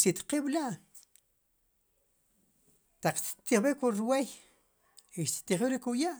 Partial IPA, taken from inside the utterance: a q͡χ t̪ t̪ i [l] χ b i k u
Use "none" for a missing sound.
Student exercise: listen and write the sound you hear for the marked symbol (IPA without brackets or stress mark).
none